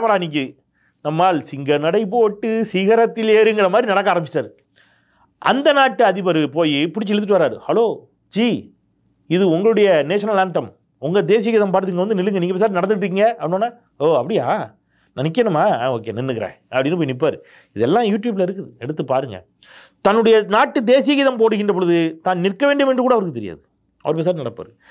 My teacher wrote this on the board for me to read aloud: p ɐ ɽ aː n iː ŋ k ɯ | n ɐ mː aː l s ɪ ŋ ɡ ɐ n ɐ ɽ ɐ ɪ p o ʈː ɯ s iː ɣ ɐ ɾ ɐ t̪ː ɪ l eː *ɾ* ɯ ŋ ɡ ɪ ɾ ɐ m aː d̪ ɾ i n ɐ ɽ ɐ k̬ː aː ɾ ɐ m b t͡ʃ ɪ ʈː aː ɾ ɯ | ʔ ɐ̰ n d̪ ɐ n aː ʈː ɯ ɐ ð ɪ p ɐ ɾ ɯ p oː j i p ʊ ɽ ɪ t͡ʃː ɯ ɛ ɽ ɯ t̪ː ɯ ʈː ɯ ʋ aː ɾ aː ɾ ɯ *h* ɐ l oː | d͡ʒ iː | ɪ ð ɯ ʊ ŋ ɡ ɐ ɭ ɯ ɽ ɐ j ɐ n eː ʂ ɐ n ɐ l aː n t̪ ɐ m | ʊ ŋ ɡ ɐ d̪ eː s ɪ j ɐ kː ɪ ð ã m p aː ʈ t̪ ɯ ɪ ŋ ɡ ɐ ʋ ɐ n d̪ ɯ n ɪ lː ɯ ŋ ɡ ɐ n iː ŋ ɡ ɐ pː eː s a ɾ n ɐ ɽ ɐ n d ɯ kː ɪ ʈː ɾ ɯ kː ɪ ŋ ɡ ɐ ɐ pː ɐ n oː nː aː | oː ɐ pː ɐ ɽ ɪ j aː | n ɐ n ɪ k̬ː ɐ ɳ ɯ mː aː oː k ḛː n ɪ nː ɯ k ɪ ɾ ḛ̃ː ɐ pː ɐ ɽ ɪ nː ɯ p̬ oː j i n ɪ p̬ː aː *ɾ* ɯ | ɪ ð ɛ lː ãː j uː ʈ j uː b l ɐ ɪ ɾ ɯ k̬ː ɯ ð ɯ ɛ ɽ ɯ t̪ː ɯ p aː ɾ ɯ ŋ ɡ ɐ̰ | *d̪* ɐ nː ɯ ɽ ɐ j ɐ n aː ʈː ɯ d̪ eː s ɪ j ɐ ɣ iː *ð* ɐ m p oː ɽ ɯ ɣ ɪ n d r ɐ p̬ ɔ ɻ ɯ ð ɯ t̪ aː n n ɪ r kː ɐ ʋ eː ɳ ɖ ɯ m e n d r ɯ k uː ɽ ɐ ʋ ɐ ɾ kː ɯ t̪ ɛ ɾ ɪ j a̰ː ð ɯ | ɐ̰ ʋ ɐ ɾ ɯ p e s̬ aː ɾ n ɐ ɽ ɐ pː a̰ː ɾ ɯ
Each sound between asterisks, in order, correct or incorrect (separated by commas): correct, correct, correct, incorrect, correct